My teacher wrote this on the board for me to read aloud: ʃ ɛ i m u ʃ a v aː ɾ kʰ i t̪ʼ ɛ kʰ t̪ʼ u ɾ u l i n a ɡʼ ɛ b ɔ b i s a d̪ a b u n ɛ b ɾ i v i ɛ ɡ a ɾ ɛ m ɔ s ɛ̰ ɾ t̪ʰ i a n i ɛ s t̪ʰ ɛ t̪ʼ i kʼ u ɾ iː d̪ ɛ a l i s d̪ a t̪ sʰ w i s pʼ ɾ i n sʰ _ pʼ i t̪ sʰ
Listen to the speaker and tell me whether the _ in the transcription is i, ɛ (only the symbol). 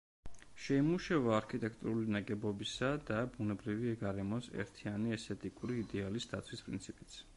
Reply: i